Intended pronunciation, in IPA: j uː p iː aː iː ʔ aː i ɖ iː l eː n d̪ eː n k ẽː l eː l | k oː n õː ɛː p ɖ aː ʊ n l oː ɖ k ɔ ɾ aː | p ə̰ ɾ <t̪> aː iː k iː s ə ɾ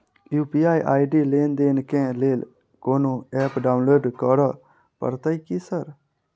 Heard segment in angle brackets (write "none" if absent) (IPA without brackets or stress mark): t̪